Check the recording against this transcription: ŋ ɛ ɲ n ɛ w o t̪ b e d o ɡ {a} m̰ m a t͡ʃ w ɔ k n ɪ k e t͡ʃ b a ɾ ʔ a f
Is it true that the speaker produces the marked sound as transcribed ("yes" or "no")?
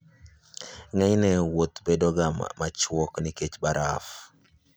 yes